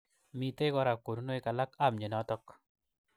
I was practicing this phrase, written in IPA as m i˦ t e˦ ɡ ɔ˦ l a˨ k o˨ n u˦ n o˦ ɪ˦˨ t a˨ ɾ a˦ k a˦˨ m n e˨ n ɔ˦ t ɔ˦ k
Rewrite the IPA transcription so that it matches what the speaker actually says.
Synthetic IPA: m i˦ t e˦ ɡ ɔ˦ ɾ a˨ k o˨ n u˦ n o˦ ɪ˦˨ k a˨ l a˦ k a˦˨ m ɲ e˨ n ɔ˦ t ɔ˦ k